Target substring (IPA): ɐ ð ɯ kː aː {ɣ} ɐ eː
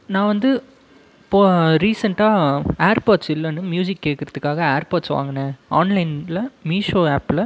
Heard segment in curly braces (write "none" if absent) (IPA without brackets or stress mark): ɣ